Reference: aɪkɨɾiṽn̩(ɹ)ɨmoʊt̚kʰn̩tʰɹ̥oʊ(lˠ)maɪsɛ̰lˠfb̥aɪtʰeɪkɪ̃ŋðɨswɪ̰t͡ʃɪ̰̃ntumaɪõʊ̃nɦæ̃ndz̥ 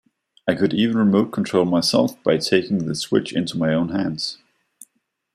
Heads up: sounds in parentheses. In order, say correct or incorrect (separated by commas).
correct, correct